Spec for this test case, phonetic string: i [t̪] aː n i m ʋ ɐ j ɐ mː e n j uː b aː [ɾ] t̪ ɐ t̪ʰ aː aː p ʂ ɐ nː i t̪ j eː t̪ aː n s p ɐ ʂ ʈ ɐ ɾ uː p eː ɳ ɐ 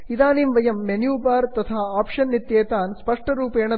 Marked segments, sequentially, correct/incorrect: incorrect: d̪, correct

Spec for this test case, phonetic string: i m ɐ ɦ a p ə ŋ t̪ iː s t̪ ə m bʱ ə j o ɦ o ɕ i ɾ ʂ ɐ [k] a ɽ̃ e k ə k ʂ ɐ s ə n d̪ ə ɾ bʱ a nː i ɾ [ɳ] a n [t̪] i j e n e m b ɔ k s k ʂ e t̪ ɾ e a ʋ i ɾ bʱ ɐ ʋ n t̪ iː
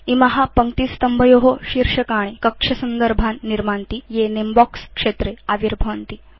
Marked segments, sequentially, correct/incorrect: correct, incorrect: m, correct

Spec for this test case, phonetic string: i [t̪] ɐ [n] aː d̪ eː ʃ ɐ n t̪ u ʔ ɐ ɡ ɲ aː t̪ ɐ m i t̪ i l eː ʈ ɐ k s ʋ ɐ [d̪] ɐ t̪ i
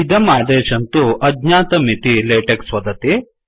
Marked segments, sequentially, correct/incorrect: incorrect: d̪, incorrect: m, correct

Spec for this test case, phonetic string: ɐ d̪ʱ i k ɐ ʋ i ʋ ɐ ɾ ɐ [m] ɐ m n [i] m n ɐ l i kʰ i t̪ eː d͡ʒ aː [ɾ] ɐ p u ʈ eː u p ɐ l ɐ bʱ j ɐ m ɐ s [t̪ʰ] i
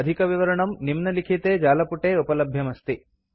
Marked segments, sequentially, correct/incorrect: incorrect: ɳ, correct, incorrect: l, incorrect: t̪

